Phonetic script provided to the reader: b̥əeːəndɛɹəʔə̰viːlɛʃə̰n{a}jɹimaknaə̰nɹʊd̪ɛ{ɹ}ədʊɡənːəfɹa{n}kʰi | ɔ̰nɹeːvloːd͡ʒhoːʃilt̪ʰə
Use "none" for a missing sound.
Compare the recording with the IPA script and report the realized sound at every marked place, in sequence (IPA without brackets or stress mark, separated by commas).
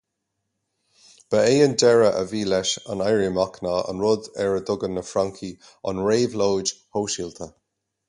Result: a, ɹ, ŋ